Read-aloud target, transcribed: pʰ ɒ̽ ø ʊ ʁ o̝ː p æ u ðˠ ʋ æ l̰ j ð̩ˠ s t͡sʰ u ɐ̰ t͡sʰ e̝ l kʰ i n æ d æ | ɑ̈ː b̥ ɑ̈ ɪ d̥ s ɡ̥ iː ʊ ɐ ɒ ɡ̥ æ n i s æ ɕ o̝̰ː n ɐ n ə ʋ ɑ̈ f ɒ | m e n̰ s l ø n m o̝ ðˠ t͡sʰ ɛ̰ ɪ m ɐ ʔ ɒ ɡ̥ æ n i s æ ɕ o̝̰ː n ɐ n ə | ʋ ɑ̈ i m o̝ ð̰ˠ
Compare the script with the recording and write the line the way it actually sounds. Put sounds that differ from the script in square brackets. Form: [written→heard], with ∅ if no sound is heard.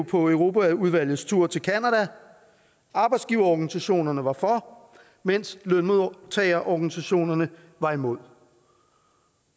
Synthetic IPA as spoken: pʰ ɒ̽ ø ʊ ʁ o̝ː p æ u ðˠ ʋ æ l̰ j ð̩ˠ s t͡sʰ u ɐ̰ t͡sʰ e̝ l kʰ [i→æ] n æ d æ | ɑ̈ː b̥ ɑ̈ ɪ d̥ s ɡ̥ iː ʊ ɐ ɒ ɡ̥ æ n i s æ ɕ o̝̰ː n ɐ n ə ʋ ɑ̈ f ɒ | m e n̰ s l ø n m o̝ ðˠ t͡sʰ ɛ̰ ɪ [m→∅] ɐ ʔ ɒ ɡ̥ æ n i s æ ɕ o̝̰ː n ɐ n ə | ʋ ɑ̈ i m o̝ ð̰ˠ